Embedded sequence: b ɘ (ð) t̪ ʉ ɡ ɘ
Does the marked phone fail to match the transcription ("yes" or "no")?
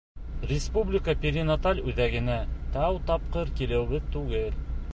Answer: no